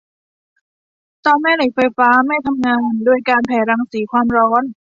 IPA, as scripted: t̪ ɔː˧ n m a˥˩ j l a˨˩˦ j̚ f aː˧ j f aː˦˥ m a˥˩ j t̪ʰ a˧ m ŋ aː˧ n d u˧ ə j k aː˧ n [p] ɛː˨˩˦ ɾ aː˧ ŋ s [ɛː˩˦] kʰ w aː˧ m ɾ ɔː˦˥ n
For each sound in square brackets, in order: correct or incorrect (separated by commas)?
incorrect, incorrect